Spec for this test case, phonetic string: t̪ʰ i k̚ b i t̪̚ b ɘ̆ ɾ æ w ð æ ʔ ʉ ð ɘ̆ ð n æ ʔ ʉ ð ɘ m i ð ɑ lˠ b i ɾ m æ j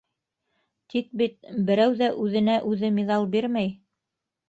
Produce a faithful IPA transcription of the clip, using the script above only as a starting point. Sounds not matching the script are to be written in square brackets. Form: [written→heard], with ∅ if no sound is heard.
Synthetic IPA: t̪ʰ i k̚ b i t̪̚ b ɘ̆ ɾ æ w ð æ ʔ ʉ ð ɘ̆ [ð→∅] n æ ʔ ʉ ð ɘ m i ð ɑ lˠ b i ɾ m æ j

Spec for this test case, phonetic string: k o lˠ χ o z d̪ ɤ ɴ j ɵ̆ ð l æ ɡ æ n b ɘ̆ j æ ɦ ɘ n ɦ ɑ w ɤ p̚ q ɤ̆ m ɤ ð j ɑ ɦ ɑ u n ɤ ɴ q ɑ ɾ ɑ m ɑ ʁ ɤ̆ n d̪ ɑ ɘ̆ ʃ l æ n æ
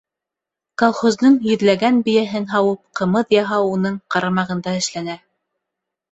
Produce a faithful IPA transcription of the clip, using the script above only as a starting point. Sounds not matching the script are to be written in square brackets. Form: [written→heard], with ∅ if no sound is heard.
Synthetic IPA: k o lˠ χ o z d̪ ɤ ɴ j ɵ̆ ð l æ ɡ æ n b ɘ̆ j æ ɦ ɘ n ɦ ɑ w ɤ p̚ q ɤ̆ m ɤ ð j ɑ ɦ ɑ u n ɤ ɴ q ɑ ɾ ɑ m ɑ ʁ ɤ̆ n d̪ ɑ ɘ̆ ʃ l æ n æ

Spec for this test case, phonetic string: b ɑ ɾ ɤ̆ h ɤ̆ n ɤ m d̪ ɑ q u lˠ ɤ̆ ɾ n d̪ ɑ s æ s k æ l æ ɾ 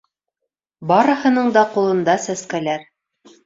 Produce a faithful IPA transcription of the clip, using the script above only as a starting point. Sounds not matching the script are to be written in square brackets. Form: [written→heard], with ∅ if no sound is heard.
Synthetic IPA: b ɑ ɾ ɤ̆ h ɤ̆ n ɤ [m→ɴ] d̪ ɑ q u lˠ ɤ̆ [ɾ→∅] n d̪ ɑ s æ s k æ l æ ɾ

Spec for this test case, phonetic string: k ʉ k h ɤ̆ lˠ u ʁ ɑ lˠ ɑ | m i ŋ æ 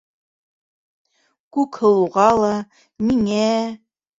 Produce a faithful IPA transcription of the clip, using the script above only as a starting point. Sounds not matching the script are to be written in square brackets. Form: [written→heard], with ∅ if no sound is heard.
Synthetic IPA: k ʉ k h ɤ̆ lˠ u ʁ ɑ lˠ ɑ | m i ŋ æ

